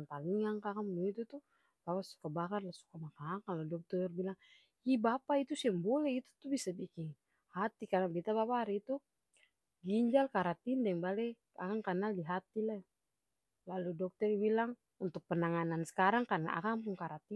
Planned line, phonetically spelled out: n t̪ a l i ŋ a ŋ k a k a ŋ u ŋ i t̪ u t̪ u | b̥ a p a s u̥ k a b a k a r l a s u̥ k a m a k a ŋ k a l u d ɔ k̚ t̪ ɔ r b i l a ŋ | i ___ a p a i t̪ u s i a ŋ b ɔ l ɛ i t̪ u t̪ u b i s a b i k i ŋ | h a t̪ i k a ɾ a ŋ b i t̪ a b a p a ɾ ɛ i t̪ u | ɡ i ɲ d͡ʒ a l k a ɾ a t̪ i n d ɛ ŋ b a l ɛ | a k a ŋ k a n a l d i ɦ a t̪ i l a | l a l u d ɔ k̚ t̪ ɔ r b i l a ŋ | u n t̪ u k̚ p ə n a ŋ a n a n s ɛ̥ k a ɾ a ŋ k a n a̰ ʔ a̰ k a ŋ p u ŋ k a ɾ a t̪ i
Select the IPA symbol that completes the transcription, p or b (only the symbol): b